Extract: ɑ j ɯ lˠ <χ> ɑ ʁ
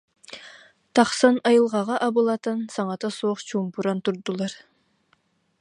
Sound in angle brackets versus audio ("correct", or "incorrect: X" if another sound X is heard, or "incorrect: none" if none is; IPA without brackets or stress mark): incorrect: ʁ